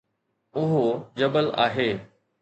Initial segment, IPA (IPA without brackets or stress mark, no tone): ʊ